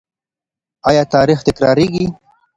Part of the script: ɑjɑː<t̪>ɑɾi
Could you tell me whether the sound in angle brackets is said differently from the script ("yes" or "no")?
no